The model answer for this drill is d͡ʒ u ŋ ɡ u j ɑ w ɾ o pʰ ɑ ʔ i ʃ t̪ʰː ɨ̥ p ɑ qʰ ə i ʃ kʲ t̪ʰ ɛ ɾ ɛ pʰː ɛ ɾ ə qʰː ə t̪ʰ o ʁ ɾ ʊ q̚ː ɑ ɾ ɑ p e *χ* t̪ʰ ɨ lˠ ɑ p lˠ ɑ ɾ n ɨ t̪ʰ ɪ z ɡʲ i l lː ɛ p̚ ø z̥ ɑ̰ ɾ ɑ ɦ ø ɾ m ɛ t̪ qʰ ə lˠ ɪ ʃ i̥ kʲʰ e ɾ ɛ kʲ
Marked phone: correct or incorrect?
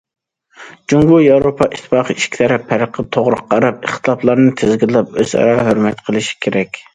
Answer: correct